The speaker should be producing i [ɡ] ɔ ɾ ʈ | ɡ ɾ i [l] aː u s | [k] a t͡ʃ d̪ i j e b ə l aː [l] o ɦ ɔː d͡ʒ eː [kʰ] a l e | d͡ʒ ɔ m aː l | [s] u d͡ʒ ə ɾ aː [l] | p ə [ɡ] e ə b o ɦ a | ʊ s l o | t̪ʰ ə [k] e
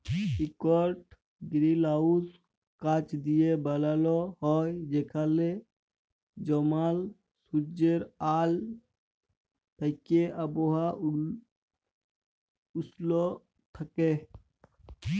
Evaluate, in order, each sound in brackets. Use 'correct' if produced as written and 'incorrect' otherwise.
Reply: incorrect, correct, correct, correct, correct, correct, correct, incorrect, correct

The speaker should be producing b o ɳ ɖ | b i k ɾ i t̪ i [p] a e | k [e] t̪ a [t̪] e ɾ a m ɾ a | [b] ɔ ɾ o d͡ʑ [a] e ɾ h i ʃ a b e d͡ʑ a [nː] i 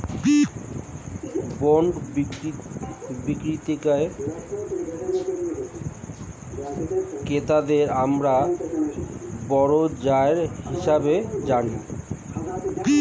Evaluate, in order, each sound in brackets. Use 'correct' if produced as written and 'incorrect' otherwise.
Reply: incorrect, correct, incorrect, correct, correct, incorrect

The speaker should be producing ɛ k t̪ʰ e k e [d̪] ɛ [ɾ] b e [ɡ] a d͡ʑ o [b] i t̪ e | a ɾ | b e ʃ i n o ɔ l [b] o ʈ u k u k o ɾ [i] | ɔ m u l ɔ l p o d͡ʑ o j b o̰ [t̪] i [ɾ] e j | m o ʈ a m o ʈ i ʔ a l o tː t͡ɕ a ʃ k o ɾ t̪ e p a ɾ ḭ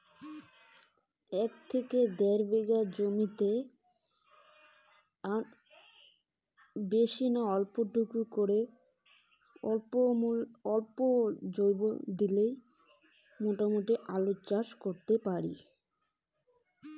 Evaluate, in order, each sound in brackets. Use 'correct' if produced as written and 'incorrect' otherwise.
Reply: correct, correct, correct, incorrect, incorrect, incorrect, incorrect, incorrect

